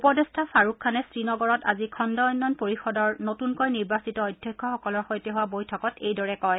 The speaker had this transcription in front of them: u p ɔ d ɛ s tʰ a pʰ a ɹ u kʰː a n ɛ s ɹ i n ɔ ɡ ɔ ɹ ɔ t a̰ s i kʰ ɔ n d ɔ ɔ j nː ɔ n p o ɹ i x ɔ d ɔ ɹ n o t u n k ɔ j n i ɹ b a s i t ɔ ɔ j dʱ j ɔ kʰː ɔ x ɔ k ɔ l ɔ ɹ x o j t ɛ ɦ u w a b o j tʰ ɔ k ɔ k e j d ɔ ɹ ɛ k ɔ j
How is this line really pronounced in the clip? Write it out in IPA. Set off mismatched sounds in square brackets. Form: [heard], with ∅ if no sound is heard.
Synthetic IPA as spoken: u p ɔ d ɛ s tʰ a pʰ a ɹ u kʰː a n ɛ s ɹ i n ɔ ɡ ɔ ɹ ɔ t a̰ [z] i kʰ ɔ n d ɔ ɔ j nː ɔ n p o ɹ i x ɔ d ɔ ɹ n o t u n k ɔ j n i ɹ b a s i t ɔ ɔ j dʱ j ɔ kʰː ɔ x ɔ k ɔ l ɔ ɹ x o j t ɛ ɦ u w a b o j tʰ ɔ k ɔ [t] e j d ɔ ɹ ɛ k ɔ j